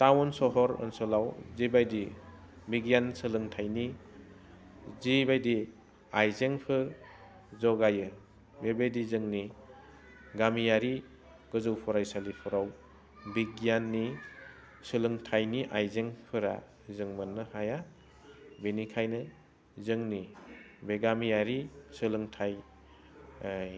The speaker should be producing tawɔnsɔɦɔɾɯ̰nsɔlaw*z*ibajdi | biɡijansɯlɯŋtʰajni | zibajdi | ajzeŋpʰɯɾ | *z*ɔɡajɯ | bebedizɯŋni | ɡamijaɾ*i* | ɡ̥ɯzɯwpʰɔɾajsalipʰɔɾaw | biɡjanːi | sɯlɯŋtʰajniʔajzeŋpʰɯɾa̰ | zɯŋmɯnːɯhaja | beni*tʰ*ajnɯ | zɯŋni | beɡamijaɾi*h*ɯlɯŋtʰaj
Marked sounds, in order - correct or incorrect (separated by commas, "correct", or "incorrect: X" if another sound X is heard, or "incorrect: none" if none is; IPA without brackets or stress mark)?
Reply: correct, correct, correct, incorrect: kʰ, incorrect: s